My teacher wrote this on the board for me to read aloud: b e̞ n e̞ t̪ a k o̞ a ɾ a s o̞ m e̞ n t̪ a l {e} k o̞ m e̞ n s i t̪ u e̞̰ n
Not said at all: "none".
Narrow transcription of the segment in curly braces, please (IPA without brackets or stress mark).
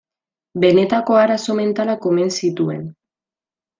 a